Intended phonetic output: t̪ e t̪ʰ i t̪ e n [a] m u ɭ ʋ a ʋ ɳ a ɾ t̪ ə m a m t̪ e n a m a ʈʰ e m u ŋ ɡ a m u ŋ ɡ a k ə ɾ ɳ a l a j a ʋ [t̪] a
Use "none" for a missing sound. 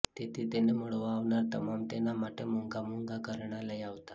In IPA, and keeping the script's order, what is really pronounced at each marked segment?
e, t̪

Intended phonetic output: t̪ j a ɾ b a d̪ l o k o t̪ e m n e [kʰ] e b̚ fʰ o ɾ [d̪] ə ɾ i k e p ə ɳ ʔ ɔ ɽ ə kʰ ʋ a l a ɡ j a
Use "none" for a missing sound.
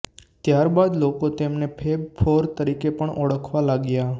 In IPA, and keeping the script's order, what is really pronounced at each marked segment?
pʰ, t̪

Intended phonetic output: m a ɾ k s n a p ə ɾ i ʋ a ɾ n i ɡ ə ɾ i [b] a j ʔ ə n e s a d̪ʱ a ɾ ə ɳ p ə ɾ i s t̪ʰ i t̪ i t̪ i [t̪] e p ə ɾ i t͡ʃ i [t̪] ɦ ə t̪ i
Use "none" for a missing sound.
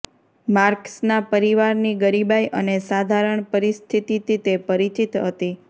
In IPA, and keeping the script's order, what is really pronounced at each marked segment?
b, t̪, t̪

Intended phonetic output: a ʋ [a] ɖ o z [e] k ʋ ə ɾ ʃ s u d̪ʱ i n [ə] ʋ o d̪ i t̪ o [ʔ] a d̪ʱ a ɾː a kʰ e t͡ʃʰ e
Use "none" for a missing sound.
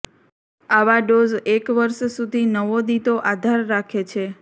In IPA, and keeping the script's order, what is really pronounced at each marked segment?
a, e, ə, ʔ

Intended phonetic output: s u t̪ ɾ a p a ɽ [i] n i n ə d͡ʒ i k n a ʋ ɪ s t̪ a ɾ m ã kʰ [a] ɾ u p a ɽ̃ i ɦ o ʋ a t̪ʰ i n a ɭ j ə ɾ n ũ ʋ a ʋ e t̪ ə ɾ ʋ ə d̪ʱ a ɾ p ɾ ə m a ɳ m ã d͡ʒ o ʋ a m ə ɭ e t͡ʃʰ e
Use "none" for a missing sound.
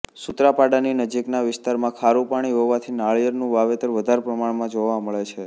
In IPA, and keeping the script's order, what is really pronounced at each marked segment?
a, a

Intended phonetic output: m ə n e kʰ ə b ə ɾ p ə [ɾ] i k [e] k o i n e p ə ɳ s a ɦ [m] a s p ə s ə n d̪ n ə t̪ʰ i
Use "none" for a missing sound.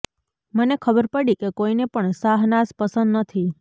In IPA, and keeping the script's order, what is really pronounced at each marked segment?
ɽ, e, n

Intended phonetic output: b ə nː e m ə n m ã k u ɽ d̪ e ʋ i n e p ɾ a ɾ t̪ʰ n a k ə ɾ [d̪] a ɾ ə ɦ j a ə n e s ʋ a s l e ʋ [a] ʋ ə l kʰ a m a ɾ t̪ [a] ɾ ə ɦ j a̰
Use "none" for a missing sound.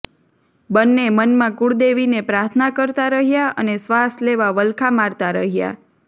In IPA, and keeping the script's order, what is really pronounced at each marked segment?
t̪, a, a

